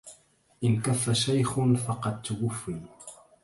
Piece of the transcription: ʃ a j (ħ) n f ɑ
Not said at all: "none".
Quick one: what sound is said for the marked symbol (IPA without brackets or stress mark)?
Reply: x